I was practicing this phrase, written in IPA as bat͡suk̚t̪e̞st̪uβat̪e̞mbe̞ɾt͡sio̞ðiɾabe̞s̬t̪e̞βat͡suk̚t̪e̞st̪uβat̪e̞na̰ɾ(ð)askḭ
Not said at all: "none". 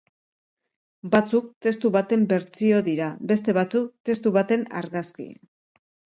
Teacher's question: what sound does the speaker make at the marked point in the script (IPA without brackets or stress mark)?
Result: ɣ